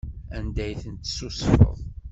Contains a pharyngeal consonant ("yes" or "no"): no